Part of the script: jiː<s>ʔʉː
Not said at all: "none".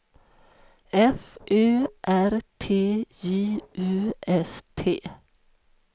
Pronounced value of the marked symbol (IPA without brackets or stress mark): none